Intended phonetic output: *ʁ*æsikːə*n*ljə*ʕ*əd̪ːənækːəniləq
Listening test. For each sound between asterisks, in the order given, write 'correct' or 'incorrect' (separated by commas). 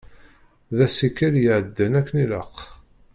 incorrect, incorrect, correct